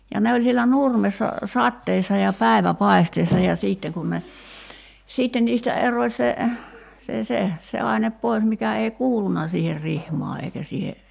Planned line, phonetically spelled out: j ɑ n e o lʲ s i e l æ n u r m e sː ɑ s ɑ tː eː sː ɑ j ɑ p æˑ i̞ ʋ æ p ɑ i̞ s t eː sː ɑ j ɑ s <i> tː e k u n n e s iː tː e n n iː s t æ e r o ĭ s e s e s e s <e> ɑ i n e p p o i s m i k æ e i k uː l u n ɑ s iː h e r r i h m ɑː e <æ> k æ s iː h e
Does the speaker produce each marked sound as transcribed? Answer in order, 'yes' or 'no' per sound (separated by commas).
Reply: no, yes, no